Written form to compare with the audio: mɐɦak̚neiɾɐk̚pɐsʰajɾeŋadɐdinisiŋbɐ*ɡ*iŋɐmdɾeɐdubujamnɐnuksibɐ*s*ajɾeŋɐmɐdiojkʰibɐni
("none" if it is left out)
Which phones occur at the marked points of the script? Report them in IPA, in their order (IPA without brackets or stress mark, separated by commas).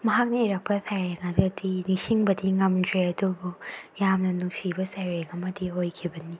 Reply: d, s